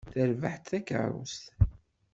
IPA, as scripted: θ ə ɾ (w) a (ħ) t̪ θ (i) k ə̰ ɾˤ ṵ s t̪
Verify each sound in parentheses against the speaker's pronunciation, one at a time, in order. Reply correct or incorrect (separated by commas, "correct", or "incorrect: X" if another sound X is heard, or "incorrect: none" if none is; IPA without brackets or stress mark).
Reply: incorrect: v, correct, incorrect: æ